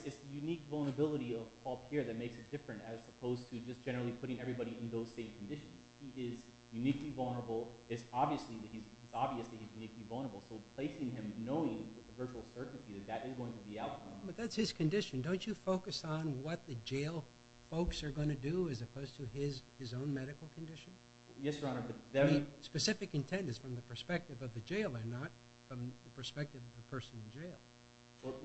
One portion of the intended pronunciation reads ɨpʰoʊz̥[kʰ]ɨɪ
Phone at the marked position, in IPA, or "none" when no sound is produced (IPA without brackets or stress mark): tʰ